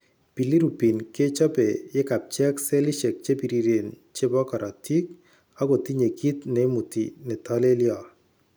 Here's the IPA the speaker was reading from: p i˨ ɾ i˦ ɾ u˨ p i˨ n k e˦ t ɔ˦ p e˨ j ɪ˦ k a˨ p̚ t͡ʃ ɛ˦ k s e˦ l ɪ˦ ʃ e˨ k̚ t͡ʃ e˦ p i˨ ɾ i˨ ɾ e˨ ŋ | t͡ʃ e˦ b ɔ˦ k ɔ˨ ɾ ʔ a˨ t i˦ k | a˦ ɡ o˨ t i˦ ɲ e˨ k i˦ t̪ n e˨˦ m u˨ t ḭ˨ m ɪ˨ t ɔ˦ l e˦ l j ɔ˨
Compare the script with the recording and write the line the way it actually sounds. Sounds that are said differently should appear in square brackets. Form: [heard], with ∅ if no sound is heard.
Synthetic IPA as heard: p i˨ [l] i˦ ɾ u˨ p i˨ n k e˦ [t͡ʃ] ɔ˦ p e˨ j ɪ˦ k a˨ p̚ t͡ʃ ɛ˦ k s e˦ l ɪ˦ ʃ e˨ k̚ t͡ʃ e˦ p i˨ ɾ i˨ ɾ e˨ [n] | t͡ʃ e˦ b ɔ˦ k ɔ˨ ɾ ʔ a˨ t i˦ k | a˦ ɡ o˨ t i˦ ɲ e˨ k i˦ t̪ n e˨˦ m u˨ t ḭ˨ [n] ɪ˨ t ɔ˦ l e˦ l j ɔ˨